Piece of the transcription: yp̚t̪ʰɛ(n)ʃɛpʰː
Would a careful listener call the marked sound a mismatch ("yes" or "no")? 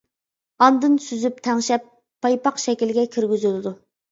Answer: yes